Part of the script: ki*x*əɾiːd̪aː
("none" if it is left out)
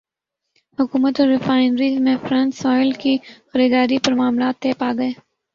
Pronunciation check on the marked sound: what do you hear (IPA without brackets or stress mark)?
x